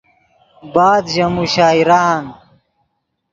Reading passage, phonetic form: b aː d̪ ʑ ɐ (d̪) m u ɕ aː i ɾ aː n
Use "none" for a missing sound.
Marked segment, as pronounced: none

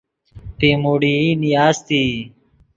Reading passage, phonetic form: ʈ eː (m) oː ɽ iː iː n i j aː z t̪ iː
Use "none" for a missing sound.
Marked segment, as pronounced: m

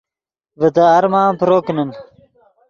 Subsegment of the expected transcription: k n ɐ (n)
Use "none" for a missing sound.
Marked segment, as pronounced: n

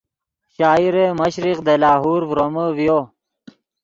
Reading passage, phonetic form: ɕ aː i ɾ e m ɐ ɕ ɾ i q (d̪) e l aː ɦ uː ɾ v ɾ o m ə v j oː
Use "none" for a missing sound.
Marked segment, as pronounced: d̪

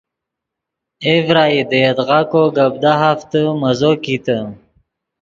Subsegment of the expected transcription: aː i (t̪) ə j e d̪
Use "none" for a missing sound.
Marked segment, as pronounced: d̪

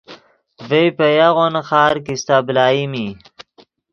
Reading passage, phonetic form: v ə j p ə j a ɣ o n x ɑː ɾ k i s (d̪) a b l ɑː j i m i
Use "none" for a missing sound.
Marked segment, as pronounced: t̪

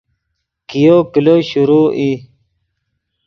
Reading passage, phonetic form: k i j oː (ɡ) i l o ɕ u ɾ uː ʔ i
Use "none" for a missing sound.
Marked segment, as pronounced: k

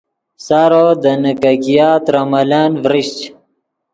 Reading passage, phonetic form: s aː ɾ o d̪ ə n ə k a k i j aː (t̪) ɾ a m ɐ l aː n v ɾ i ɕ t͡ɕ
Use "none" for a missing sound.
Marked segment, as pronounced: t̪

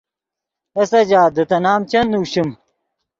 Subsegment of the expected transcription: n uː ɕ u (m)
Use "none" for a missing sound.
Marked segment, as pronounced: m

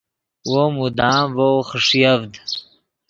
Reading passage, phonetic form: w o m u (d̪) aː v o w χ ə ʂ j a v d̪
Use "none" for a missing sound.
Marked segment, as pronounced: d̪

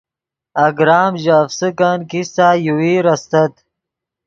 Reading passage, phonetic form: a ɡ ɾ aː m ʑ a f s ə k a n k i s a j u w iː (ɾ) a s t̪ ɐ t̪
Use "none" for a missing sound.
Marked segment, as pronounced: ɾ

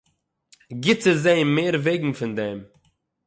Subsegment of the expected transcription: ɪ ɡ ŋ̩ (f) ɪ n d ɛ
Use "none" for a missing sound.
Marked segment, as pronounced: f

